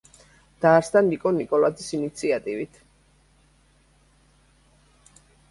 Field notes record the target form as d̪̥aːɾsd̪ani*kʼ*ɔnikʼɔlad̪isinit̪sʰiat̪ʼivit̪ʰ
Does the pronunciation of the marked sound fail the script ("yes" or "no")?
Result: no